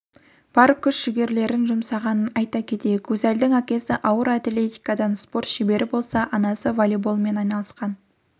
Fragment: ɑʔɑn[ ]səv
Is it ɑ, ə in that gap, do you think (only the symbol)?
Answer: ɑ